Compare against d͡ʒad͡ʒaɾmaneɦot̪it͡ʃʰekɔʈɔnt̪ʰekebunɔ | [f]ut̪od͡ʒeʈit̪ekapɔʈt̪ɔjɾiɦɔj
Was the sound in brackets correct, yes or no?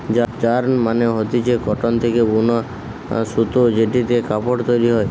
no